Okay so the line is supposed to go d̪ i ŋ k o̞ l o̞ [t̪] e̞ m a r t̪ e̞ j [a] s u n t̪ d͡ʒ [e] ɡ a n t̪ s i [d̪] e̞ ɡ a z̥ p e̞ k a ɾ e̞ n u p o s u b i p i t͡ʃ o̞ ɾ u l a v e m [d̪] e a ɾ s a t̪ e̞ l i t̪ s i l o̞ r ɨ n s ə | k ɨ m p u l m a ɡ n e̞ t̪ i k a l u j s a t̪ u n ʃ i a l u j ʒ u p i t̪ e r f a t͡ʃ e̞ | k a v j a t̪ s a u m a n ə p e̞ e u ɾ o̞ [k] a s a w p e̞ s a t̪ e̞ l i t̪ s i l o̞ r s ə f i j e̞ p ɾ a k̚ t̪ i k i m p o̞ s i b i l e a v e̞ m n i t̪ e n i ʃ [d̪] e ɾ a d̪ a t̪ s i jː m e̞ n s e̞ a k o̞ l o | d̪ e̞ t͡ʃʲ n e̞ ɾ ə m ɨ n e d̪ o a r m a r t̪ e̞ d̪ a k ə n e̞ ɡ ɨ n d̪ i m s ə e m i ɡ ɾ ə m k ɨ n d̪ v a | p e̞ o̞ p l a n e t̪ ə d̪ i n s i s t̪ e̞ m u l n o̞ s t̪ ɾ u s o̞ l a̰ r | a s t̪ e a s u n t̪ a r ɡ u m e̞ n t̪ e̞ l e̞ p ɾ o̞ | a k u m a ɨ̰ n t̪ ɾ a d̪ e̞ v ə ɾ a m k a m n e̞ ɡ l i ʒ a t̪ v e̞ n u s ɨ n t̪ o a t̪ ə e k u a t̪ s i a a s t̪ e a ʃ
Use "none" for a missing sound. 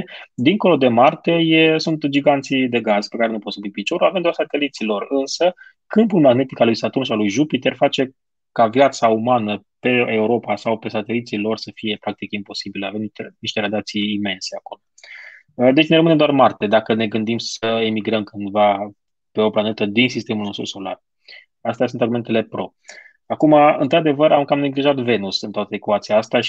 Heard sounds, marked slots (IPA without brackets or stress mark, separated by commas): d̪, e, i, d̪, d̪, p, t̪